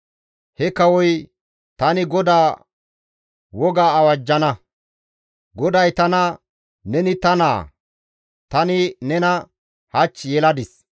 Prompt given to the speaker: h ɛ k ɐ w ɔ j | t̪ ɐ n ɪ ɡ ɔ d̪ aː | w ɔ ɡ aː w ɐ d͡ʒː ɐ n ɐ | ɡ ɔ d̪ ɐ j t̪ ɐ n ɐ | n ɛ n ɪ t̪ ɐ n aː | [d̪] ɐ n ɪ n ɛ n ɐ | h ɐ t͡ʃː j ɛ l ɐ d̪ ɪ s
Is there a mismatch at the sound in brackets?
yes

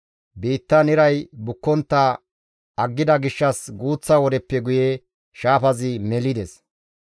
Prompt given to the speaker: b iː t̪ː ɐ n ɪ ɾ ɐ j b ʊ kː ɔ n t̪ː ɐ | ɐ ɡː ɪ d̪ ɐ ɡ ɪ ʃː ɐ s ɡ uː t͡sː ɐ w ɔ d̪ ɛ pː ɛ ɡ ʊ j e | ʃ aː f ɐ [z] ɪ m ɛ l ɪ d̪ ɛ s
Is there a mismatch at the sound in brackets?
no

